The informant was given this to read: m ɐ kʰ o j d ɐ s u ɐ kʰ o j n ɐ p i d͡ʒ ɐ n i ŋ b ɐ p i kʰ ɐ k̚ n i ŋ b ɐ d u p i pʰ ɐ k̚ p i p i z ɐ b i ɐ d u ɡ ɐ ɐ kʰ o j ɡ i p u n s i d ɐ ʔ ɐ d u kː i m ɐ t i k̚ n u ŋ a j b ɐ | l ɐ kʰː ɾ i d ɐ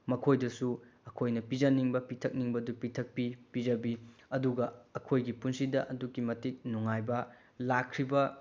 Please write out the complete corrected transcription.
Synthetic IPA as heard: m ɐ kʰ o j d ɐ s u ɐ kʰ o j n ɐ p i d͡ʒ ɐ n i ŋ b ɐ p i tʰ ɐ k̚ n i ŋ b ɐ d u p i tʰ ɐ k̚ p i p i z ɐ b i ɐ d u ɡ ɐ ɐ kʰ o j ɡ i p u n s i d ɐ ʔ ɐ d u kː i m ɐ t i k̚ n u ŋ a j b ɐ | l a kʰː ɾ i b ɐ